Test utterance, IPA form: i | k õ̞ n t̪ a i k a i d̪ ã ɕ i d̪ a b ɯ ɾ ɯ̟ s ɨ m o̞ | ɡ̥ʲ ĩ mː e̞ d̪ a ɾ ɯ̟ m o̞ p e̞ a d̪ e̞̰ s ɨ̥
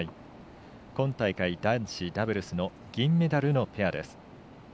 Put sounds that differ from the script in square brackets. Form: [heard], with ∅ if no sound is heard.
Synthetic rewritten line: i | k õ̞ n t̪ a i k a i d̪ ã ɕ i d̪ a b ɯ ɾ ɯ̟ s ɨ [n] o̞ | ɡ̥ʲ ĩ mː e̞ d̪ a ɾ ɯ̟ [n] o̞ p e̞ a d̪ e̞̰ s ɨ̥